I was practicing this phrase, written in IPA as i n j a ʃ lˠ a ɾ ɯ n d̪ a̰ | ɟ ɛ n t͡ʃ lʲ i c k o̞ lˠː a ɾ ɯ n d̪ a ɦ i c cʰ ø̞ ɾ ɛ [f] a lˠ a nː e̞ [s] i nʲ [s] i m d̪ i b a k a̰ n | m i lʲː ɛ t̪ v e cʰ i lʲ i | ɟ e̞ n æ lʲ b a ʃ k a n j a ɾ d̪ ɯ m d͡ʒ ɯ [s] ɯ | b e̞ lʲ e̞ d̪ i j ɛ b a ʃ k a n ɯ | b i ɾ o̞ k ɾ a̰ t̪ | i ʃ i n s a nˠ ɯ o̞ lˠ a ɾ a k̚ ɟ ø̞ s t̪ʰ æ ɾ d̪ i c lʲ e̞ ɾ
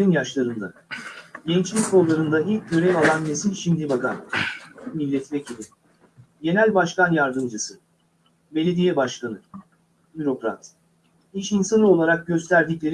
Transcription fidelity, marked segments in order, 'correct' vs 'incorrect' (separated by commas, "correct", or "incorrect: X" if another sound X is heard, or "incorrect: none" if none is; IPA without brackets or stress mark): incorrect: v, correct, incorrect: ʃ, correct